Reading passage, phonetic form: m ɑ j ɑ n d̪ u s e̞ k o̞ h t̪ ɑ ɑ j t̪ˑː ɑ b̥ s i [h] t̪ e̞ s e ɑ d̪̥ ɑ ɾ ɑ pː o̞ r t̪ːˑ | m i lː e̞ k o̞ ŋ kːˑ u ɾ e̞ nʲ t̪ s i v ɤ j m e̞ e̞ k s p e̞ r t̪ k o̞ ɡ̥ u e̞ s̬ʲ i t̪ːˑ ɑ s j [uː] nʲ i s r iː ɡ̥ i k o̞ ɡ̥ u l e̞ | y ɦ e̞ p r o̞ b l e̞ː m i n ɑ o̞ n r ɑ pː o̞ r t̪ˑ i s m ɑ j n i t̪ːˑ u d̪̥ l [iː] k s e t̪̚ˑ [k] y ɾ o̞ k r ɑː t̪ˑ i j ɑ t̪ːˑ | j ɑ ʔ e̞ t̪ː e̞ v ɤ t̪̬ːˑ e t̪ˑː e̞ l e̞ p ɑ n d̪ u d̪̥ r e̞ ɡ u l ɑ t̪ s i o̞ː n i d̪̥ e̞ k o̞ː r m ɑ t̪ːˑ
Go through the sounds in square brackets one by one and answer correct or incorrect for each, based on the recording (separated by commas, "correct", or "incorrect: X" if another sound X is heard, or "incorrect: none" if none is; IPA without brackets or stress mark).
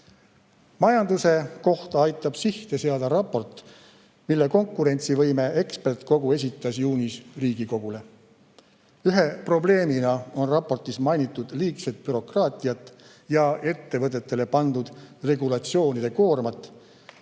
correct, correct, correct, incorrect: p